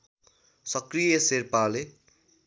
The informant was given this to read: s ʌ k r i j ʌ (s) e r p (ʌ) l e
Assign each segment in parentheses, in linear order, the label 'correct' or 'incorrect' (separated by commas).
correct, incorrect